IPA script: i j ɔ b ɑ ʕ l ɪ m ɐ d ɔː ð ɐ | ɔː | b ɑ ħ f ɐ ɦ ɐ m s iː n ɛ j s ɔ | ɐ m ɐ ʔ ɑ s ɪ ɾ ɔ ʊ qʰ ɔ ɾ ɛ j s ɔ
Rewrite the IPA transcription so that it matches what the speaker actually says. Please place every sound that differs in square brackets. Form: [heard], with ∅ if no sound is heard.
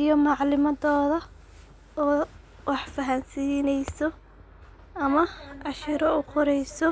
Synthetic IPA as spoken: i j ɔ [m] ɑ ʕ l ɪ m ɐ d ɔː ð ɐ | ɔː | [w] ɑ ħ f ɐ ɦ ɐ [n] s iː n ɛ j s ɔ | ɐ m ɐ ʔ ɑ [ʃ] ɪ ɾ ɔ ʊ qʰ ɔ ɾ ɛ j s ɔ